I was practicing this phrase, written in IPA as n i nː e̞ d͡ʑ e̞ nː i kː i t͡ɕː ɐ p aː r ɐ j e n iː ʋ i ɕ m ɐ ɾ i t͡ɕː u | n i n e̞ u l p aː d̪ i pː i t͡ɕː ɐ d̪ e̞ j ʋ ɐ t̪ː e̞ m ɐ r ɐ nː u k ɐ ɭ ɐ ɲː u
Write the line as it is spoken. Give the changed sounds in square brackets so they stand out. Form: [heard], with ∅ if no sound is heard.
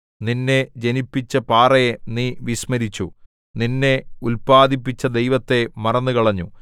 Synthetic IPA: n i nː e̞ d͡ʑ e̞ [n] i [pː] i t͡ɕː ɐ p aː r ɐ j e n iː ʋ i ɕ m ɐ ɾ i t͡ɕː u | n i [nː] e̞ u l p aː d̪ i pː i t͡ɕː ɐ d̪ e̞ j ʋ ɐ t̪ː e̞ m ɐ r ɐ nː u k ɐ ɭ ɐ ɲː u